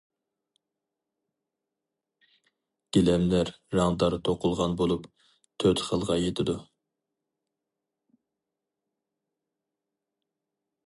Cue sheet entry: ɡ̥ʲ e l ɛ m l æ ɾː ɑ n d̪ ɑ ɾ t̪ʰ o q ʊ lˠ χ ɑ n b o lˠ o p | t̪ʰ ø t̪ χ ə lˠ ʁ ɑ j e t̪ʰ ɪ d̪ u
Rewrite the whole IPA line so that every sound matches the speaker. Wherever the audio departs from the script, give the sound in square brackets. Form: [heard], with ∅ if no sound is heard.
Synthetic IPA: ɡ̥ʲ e l ɛ m l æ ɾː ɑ [ŋ] d̪ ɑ ɾ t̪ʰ o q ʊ lˠ [ʁ] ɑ n b o lˠ [u] p | t̪ʰ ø t̪ χ ə lˠ ʁ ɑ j e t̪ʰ ɪ d̪ u